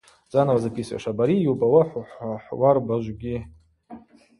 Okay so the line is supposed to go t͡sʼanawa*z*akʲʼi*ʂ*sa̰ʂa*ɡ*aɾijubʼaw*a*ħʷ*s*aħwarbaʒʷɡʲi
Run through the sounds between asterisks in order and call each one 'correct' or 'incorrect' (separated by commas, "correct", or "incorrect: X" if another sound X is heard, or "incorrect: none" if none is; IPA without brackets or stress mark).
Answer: correct, incorrect: none, incorrect: b, correct, incorrect: ħ